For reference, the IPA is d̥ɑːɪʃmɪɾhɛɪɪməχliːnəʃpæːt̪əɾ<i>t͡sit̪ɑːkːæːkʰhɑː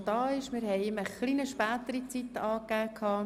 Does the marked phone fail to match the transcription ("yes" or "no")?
no